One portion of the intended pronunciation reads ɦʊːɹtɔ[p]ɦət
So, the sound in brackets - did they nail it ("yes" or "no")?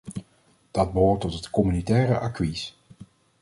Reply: no